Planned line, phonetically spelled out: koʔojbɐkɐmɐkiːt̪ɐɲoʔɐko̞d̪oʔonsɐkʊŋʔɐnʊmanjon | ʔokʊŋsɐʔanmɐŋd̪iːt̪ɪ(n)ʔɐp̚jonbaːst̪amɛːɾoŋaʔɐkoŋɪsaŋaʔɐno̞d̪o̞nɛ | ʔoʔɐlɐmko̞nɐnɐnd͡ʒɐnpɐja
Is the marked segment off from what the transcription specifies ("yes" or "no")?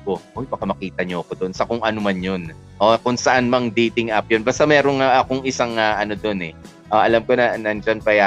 yes